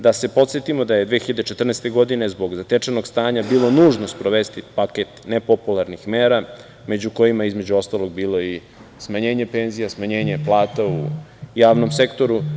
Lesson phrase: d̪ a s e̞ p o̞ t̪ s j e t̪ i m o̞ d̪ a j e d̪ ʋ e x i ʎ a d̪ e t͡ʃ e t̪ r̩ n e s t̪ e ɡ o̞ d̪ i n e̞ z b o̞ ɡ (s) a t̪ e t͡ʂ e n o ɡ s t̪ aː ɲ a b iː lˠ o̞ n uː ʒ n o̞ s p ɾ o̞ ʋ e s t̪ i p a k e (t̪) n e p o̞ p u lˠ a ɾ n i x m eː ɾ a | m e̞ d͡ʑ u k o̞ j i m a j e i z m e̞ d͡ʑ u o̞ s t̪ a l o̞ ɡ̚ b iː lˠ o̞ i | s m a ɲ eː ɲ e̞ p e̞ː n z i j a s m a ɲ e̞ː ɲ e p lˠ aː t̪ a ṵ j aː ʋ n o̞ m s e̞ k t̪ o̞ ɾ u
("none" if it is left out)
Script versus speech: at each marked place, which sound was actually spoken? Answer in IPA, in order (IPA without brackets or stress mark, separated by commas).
z, t̪